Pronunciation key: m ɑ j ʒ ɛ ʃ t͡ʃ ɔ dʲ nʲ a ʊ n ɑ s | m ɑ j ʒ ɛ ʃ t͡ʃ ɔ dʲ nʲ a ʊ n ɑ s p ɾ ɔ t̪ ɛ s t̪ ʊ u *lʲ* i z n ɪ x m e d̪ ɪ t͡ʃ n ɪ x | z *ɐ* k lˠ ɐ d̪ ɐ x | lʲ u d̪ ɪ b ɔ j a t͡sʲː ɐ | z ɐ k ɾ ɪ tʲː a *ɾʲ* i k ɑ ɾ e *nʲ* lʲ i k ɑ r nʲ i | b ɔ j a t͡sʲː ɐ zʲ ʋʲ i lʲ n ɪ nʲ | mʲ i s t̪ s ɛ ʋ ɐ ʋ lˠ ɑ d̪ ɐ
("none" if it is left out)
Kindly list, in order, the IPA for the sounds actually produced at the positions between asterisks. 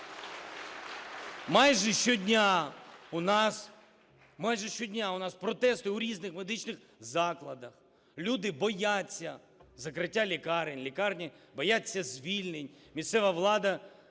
ɾʲ, ɑ, lʲ, nʲ

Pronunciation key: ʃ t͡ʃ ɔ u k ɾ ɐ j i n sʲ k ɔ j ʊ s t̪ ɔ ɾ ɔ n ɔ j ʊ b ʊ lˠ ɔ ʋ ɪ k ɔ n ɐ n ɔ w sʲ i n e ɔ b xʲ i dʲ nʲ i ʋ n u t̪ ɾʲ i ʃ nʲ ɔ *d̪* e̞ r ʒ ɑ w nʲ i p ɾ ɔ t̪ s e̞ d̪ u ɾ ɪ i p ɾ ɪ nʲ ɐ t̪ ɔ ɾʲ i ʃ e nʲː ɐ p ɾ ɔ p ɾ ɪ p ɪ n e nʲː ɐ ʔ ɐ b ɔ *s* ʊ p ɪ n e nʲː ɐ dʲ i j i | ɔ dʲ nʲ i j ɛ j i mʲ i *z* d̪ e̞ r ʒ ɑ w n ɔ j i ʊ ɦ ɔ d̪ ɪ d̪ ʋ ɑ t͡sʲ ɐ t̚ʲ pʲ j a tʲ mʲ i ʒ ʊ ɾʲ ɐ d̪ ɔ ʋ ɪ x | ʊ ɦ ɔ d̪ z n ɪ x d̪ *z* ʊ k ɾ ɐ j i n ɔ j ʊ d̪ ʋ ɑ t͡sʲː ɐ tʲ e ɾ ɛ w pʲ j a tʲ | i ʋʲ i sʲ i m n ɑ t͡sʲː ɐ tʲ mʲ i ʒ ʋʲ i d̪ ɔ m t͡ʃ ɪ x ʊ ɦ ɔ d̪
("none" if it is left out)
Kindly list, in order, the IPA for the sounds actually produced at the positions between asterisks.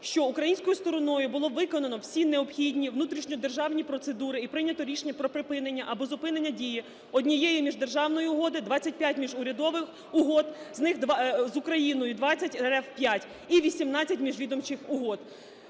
d̪, z, ʒ, z

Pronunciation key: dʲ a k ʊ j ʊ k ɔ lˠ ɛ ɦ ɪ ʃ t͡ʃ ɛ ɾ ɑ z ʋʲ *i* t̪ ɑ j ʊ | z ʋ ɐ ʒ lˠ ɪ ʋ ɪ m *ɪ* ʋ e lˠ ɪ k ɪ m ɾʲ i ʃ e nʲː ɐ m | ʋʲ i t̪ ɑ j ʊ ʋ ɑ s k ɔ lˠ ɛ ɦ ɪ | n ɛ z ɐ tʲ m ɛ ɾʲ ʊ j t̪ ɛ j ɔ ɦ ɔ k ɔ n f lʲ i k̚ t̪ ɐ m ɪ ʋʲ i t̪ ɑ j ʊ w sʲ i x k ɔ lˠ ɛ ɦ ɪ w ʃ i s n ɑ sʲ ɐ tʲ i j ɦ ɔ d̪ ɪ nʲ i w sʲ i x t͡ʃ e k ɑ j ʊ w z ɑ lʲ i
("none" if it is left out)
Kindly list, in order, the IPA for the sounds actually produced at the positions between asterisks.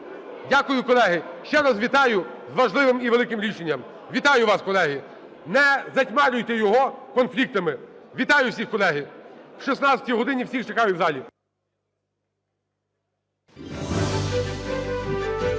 i, i

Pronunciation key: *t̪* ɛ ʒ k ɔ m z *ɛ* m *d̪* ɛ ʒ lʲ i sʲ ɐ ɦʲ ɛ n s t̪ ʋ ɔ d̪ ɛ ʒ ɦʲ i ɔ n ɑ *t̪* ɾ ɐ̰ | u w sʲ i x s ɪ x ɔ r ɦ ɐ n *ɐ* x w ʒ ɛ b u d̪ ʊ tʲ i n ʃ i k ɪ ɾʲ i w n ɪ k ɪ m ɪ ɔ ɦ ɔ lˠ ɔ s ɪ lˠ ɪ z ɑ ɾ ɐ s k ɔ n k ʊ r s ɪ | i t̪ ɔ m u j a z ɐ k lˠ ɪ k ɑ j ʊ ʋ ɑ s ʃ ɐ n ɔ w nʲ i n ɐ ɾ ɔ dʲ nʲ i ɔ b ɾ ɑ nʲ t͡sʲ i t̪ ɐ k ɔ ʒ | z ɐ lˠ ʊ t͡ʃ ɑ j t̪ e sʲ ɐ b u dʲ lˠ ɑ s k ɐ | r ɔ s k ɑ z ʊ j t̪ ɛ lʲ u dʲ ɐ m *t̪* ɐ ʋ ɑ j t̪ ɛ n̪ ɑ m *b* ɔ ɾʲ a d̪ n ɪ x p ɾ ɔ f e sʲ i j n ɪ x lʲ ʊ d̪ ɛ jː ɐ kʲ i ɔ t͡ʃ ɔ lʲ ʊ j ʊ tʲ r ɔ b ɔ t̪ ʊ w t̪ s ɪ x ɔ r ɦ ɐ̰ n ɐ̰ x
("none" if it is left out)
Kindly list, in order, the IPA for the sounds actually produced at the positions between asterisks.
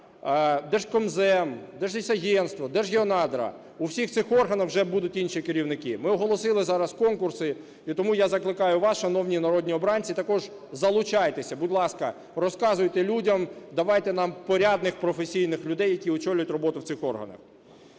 d̪, ɛ, d̪, d̪, ɐ, d̪, p

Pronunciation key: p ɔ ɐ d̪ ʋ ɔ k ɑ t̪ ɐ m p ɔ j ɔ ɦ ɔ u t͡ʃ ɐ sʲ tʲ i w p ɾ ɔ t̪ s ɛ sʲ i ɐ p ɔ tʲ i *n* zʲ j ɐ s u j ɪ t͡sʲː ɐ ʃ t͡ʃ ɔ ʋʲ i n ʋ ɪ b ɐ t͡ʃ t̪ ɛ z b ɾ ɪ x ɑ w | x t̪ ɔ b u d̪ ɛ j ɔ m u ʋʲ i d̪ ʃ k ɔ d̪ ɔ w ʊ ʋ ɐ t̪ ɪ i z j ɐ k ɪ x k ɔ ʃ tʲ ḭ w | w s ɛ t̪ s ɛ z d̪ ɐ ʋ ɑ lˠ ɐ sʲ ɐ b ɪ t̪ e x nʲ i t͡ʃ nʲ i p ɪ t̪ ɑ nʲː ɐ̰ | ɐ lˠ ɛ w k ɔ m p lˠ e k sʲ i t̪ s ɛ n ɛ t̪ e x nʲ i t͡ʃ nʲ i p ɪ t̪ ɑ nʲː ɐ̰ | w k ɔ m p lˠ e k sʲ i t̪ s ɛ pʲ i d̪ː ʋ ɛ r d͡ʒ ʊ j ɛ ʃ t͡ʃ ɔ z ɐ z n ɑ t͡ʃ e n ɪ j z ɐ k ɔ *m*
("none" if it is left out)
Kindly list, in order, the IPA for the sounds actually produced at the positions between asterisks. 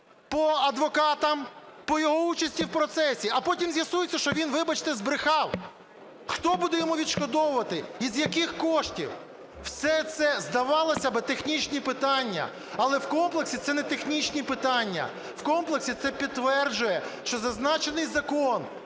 m, n

